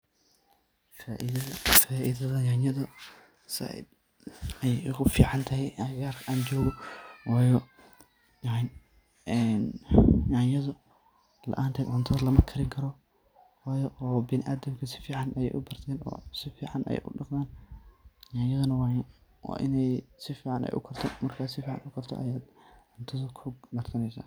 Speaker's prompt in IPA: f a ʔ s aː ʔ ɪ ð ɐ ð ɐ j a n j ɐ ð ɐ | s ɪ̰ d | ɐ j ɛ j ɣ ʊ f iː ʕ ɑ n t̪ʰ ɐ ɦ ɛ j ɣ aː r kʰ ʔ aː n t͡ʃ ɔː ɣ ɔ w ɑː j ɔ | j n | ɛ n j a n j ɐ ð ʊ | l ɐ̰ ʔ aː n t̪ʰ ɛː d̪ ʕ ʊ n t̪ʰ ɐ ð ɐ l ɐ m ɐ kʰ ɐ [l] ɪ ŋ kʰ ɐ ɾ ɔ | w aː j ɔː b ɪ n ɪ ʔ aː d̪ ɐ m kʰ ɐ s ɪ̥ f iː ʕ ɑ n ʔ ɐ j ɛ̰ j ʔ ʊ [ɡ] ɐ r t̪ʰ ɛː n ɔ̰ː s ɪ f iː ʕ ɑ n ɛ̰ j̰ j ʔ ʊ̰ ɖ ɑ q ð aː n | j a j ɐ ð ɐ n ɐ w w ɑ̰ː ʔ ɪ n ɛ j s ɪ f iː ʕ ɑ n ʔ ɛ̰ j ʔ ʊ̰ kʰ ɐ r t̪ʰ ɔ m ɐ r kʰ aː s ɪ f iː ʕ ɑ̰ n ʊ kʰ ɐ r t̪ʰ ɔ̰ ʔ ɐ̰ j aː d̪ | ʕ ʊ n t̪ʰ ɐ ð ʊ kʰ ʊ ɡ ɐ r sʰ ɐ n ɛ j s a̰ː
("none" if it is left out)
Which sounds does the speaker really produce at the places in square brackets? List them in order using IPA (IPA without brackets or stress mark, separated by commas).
ɾ, b